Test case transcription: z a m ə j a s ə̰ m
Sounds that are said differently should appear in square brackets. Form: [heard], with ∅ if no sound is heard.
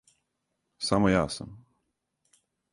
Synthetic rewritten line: [s] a m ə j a s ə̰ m